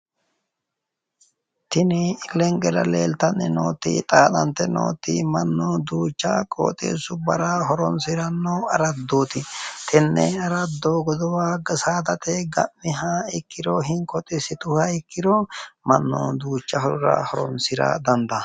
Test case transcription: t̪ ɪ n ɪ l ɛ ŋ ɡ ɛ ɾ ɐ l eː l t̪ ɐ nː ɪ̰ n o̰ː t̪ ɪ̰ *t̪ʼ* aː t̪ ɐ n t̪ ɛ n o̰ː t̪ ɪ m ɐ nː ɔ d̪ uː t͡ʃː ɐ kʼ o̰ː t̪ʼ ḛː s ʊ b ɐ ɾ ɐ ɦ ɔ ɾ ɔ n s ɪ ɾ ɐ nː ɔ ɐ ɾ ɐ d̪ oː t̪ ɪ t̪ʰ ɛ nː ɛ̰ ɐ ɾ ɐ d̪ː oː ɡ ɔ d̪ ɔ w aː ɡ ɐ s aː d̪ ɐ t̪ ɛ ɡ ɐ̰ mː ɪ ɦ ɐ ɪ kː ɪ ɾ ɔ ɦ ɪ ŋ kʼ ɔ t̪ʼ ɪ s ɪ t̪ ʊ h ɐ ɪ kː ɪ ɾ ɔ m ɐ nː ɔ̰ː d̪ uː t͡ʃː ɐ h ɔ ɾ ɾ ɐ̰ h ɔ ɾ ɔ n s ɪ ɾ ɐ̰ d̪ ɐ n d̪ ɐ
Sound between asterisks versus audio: correct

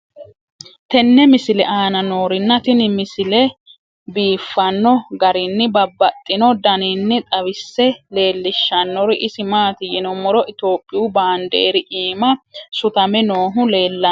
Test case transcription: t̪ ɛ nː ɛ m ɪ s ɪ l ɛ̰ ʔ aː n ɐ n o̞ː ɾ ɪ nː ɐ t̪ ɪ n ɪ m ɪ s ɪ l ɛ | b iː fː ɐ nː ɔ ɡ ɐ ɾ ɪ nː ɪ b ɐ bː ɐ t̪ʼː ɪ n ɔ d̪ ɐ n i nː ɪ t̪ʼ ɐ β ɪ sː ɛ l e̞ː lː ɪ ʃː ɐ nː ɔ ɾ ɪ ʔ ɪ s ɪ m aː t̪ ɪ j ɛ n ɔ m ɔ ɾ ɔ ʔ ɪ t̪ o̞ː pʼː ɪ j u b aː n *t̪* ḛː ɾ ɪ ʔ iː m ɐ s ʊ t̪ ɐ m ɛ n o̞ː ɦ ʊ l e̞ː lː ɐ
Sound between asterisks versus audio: incorrect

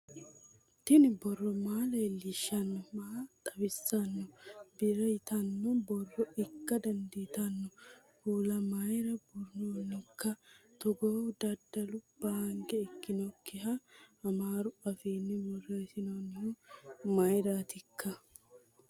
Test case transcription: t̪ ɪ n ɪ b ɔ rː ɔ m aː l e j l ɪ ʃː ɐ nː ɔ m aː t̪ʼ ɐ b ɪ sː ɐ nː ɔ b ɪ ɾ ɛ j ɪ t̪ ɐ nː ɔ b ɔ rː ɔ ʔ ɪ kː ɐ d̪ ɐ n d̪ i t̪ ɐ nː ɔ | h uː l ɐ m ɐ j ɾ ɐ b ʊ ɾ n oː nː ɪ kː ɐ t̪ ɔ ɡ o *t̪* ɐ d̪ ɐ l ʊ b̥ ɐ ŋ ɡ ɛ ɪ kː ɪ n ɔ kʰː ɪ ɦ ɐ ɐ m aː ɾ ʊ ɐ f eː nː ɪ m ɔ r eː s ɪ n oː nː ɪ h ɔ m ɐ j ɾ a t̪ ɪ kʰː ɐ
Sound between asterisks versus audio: incorrect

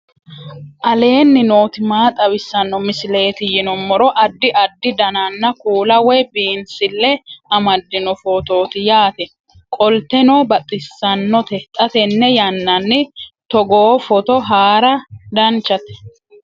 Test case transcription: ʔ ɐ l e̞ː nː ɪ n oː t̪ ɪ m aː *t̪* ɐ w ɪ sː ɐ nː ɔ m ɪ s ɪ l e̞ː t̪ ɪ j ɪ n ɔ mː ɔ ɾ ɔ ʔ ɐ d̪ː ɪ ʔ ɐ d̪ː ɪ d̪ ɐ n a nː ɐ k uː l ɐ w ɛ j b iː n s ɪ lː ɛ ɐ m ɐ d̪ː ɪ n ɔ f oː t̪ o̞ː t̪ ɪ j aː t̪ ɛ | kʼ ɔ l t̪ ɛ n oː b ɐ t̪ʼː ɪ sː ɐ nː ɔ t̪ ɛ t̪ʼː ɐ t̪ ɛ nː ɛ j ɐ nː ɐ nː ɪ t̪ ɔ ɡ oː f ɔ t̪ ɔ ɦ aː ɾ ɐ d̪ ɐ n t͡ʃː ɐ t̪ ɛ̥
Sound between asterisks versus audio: incorrect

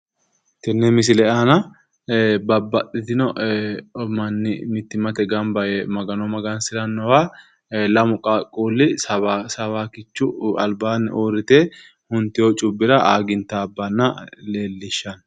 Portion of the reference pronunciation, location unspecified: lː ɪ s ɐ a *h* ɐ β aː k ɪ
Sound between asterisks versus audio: incorrect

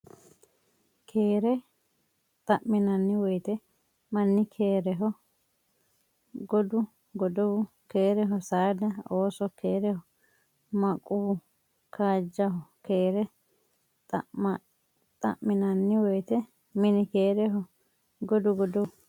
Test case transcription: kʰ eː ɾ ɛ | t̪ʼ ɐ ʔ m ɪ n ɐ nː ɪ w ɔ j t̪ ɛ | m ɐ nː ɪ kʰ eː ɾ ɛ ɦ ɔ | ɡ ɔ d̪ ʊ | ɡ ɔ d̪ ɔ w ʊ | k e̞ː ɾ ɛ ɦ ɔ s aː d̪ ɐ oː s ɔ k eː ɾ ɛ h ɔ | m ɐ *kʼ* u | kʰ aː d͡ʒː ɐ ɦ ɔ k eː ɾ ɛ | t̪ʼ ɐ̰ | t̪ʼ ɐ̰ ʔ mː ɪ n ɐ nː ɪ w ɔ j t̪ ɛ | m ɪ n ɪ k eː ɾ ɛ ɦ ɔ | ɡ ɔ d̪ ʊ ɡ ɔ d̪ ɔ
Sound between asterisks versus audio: correct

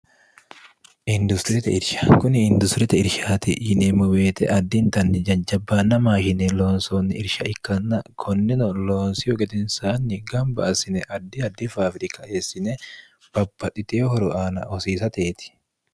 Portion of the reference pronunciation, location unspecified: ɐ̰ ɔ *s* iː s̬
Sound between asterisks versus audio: correct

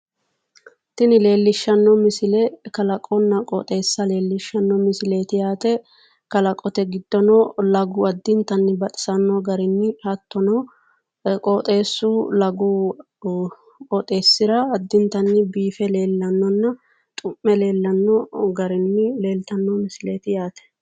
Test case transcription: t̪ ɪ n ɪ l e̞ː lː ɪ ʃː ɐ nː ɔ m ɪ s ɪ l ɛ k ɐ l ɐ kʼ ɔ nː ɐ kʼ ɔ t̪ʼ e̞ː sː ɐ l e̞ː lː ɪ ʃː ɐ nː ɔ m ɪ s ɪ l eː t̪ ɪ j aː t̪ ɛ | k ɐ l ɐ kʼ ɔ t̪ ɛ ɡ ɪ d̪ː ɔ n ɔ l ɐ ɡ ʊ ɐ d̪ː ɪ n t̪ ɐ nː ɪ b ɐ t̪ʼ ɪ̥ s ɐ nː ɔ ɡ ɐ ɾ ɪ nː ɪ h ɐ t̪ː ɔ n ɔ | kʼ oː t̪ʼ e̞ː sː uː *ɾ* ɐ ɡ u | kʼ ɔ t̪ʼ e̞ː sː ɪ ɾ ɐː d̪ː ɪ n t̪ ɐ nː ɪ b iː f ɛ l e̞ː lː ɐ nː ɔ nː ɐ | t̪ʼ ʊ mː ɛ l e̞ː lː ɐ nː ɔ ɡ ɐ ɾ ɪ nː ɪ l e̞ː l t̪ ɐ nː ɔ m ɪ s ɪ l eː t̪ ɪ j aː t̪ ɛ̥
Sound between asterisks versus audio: incorrect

